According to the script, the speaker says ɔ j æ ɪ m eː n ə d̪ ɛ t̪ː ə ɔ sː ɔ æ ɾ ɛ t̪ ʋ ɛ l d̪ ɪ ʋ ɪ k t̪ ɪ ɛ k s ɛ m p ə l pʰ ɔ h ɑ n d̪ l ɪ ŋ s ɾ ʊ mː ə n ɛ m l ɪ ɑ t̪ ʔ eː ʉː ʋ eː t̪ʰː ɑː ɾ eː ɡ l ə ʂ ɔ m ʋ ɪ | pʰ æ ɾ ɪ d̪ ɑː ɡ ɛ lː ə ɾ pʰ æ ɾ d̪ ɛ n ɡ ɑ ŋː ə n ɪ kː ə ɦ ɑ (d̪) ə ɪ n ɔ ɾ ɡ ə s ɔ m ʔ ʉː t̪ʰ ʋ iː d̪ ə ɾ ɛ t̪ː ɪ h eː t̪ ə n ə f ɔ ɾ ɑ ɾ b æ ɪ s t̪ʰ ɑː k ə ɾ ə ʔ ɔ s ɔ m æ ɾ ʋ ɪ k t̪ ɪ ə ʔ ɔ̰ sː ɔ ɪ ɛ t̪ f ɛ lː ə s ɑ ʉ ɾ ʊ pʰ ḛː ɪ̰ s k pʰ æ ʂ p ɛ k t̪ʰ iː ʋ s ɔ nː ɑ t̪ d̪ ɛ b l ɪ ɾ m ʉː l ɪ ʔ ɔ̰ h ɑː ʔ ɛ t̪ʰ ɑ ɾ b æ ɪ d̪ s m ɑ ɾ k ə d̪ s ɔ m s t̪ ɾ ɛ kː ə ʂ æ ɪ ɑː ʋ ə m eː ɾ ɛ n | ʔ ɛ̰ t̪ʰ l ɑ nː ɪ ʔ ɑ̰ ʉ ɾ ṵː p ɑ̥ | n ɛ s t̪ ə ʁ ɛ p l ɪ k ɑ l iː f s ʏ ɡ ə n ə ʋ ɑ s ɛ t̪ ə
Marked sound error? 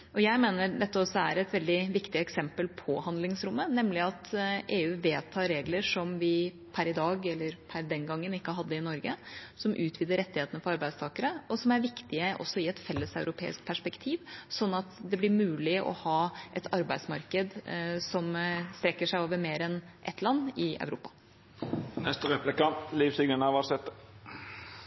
yes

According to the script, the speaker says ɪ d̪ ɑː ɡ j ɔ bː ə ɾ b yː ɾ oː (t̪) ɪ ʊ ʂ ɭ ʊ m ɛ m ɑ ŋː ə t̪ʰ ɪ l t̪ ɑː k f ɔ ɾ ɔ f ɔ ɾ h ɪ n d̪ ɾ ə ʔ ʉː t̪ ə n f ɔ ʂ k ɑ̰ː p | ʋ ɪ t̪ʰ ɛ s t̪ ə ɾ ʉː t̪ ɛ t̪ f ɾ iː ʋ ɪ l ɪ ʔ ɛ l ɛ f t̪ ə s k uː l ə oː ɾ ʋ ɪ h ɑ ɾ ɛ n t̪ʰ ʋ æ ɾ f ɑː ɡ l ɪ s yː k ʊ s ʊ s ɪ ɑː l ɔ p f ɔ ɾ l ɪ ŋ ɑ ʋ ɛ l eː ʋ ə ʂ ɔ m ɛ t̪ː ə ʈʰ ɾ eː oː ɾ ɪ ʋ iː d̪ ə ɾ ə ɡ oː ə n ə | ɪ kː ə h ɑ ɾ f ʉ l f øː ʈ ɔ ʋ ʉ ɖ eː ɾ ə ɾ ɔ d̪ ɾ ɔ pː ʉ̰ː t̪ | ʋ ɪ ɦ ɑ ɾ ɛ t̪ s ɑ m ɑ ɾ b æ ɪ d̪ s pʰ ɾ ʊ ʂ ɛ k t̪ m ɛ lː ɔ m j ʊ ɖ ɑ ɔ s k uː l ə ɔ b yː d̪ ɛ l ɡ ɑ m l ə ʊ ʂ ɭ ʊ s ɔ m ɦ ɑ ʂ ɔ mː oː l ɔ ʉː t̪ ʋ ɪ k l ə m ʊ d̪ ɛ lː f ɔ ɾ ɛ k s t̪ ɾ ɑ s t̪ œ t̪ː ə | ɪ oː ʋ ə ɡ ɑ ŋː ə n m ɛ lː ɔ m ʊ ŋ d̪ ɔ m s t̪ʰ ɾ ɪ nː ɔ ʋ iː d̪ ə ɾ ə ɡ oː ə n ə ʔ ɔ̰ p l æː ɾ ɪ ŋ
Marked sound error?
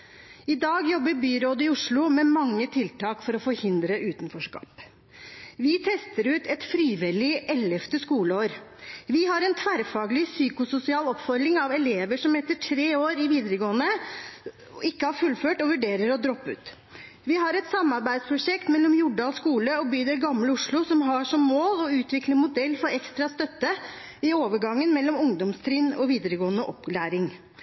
yes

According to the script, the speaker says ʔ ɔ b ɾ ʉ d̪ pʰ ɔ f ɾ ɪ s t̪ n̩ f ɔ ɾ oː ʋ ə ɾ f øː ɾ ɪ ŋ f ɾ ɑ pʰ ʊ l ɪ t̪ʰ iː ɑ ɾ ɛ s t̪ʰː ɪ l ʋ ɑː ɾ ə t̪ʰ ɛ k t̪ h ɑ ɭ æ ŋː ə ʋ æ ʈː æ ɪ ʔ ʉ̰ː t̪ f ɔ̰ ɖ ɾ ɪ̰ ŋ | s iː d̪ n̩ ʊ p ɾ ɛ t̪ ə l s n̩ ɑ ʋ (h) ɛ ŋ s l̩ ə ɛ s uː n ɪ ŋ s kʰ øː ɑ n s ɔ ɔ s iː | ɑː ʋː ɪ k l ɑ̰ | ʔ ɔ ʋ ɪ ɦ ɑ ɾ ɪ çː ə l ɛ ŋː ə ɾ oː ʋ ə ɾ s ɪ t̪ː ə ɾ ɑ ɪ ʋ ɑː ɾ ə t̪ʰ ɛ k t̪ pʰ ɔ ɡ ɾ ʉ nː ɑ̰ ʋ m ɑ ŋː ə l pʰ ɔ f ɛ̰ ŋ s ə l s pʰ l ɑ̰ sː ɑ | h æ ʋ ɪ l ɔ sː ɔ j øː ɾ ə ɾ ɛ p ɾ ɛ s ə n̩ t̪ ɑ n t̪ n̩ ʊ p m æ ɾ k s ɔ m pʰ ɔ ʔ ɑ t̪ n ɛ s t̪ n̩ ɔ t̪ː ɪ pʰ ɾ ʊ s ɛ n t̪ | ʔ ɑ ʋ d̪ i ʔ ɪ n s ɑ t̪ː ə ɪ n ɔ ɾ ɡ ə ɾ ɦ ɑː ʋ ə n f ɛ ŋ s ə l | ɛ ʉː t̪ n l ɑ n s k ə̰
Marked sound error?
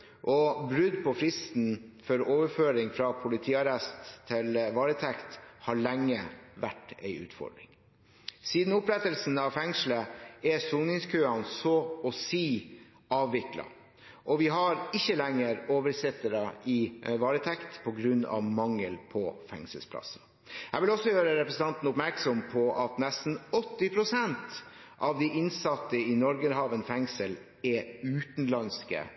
yes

